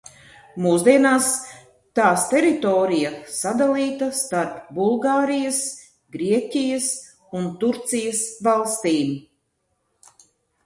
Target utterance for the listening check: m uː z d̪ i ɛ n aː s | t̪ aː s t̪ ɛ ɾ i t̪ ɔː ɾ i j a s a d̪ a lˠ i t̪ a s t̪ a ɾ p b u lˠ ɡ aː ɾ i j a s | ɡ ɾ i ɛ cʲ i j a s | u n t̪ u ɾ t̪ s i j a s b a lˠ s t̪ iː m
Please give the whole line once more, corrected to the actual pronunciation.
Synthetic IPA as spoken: m uː z d̪ i ɛ n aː s | t̪ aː s t̪ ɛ ɾ i t̪ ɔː ɾ i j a s a d̪ a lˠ iː t̪ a s t̪ a ɾ p b u lˠ ɡ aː ɾ i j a s | ɡ ɾ i ɛ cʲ i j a s | u n t̪ u ɾ t̪ s i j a s v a lˠ s t̪ iː m